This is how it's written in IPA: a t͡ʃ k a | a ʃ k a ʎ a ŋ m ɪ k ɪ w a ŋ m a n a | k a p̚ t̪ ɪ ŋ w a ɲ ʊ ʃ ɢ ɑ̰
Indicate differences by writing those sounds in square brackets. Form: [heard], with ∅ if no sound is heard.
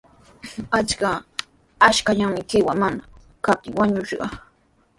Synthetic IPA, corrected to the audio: a t͡ʃ k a | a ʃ k a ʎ a ŋ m ɪ k ɪ w a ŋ m a n a | k a p̚ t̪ ɪ ŋ w a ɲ ʊ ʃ ɢ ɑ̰